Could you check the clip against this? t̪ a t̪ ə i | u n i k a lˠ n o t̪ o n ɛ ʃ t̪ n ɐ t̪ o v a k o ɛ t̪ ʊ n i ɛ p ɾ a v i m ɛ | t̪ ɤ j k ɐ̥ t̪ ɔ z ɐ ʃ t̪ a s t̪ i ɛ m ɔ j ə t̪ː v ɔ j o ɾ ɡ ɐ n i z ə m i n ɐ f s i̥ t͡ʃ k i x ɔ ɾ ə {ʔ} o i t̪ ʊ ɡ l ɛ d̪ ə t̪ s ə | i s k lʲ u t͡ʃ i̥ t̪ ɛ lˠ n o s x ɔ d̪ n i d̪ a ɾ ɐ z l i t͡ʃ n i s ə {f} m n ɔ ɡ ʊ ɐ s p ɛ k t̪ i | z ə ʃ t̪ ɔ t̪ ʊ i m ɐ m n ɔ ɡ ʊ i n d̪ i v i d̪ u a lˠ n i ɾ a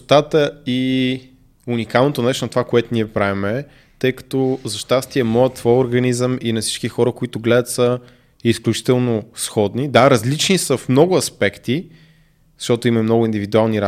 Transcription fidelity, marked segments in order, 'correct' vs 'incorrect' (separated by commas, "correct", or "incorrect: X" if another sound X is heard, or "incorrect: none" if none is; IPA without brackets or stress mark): incorrect: k, correct